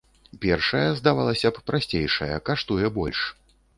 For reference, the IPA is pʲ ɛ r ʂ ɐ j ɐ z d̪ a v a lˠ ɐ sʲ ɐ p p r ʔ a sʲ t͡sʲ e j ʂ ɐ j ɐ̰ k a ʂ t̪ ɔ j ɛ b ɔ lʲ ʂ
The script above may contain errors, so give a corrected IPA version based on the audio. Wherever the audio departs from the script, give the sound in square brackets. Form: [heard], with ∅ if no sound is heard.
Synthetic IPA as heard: pʲ ɛ r ʂ ɐ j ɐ z d̪ a v a lˠ ɐ sʲ ɐ p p [ɾ] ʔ a sʲ t͡sʲ e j ʂ ɐ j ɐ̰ k a ʂ t̪ [u] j ɛ b ɔ lʲ ʂ

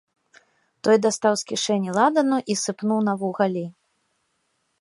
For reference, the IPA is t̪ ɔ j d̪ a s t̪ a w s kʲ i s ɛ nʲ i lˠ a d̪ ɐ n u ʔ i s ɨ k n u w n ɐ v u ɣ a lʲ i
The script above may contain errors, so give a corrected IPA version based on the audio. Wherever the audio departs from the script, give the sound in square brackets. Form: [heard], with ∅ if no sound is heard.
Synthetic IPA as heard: t̪ ɔ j d̪ a s t̪ a w s kʲ i [ʂ] ɛ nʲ i lˠ a d̪ ɐ n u ʔ i s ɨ [p] n u w n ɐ v u ɣ a lʲ i

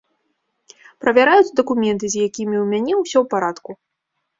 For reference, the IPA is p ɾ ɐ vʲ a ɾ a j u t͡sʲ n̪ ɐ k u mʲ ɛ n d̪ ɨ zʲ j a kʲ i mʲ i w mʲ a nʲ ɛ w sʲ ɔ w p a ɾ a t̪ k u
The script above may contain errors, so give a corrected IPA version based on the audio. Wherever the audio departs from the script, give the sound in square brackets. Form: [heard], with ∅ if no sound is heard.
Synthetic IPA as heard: p ɾ ɐ vʲ a ɾ a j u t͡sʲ [d̪] ɐ k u mʲ ɛ n [t̪] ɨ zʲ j a kʲ i mʲ i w mʲ a nʲ ɛ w sʲ ɔ w p a ɾ a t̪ k u

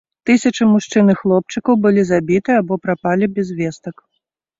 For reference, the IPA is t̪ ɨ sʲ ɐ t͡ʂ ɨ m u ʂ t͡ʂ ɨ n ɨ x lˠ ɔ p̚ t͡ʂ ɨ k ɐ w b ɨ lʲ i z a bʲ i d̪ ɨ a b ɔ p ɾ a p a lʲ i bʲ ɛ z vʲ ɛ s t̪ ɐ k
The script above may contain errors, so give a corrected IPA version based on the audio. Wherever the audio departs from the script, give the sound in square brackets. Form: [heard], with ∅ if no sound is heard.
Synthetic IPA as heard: t̪ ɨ sʲ ɐ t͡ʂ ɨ m u ʂ t͡ʂ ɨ n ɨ x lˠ ɔ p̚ t͡ʂ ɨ k ɐ w b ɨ lʲ i z a bʲ i [t̪] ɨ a b ɔ p ɾ a p a lʲ i bʲ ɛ z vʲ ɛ s t̪ ɐ k

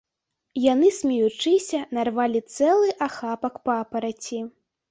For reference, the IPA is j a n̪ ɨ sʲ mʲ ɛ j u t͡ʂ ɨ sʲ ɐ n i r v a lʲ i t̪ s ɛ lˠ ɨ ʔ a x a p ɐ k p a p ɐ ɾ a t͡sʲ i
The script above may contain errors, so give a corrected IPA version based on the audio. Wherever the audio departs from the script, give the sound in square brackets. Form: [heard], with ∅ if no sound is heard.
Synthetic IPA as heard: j a n̪ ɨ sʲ mʲ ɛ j u t͡ʂ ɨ sʲ ɐ n [a] r v a lʲ i t̪ s ɛ lˠ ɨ ʔ a x a p ɐ k p a p ɐ ɾ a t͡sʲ i

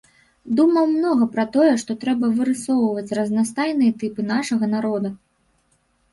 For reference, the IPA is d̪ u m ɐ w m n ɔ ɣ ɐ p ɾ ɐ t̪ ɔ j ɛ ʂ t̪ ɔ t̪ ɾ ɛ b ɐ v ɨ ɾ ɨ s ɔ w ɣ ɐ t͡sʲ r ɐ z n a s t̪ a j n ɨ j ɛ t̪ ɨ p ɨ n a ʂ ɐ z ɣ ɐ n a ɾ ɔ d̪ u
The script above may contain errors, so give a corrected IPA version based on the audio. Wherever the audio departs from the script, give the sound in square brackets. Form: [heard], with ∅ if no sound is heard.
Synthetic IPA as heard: d̪ u m ɐ w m n ɔ ɣ ɐ p ɾ ɐ t̪ ɔ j ɛ ʂ t̪ ɔ t̪ ɾ ɛ b ɐ v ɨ ɾ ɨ s ɔ w [v] ɐ t͡sʲ r ɐ z n a s t̪ a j n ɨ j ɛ t̪ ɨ p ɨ n a ʂ ɐ [∅] ɣ ɐ n a ɾ ɔ d̪ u

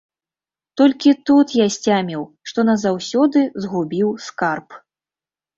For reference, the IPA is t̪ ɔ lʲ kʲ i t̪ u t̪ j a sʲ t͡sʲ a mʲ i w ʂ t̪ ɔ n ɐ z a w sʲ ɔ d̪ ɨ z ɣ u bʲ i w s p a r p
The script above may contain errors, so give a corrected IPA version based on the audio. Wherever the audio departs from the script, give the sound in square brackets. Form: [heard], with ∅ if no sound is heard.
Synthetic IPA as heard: t̪ ɔ lʲ kʲ i t̪ u t̪ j a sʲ t͡sʲ a mʲ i w ʂ t̪ ɔ n ɐ z a w sʲ ɔ d̪ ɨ z ɣ u bʲ i w s [k] a r p

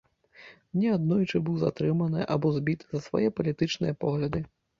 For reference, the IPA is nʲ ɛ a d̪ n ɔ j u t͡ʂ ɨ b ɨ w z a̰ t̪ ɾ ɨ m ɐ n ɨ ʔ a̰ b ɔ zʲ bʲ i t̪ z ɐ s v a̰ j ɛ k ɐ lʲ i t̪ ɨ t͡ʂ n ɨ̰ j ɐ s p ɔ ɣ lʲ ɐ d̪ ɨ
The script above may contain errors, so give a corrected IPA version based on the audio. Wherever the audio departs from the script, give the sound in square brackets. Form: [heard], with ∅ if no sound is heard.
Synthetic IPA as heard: nʲ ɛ a d̪ n ɔ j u t͡ʂ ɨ b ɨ w z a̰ t̪ ɾ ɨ m ɐ n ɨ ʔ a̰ b ɔ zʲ bʲ i t̪ z ɐ s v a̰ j ɛ [p] ɐ lʲ i t̪ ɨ t͡ʂ n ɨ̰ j ɐ [∅] p ɔ ɣ lʲ ɐ d̪ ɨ

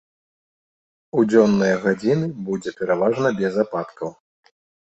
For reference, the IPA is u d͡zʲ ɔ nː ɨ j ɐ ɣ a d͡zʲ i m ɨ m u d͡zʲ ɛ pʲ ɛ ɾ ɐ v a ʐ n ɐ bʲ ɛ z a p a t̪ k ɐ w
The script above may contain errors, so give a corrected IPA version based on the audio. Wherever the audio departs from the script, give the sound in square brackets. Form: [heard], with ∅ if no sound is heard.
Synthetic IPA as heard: u d͡zʲ ɔ nː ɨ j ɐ ɣ a d͡zʲ i [n] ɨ [b] u d͡zʲ ɛ pʲ ɛ ɾ [a] v a ʐ n ɐ bʲ ɛ z a p a t̪ k ɐ w

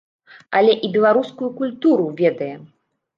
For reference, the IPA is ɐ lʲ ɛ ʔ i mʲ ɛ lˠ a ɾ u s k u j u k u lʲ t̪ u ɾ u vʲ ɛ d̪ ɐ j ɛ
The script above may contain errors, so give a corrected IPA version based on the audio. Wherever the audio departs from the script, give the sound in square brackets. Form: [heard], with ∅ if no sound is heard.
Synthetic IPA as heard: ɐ lʲ ɛ ʔ i [bʲ] ɛ lˠ a ɾ u s k u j u k u lʲ t̪ u ɾ u vʲ ɛ d̪ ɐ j ɛ

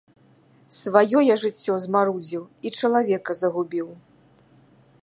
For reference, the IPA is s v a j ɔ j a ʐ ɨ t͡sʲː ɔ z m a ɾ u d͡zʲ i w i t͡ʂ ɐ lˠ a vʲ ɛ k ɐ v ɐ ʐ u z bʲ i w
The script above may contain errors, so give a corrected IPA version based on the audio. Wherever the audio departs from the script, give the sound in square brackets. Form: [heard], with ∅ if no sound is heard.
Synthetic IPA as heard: s v a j ɔ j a ʐ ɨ t͡sʲː ɔ z m a ɾ u d͡zʲ i w i t͡ʂ ɐ lˠ a vʲ ɛ k ɐ [z] ɐ [ɣ] u [∅] bʲ i w

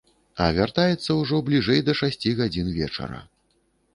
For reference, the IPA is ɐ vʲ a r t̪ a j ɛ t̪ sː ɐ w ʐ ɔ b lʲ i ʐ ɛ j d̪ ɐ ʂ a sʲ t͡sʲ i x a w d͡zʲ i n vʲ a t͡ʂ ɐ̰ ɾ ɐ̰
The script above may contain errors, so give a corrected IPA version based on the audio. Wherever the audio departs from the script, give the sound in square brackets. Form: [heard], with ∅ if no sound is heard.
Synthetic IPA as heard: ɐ vʲ a r t̪ a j ɛ t̪ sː ɐ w ʐ ɔ b lʲ i ʐ ɛ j d̪ ɐ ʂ a sʲ t͡sʲ i [ɣ] a [∅] d͡zʲ i n vʲ [ɛ] t͡ʂ ɐ̰ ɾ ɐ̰

